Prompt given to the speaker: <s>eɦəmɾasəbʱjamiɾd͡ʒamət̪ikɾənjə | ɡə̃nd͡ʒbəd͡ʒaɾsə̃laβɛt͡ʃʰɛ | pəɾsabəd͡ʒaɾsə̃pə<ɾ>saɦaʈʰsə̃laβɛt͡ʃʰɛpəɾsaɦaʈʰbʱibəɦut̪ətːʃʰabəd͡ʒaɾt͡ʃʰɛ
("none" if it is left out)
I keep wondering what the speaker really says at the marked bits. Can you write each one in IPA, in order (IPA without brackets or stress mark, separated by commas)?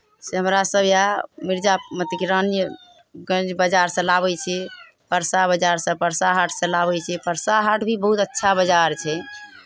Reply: s, ɾ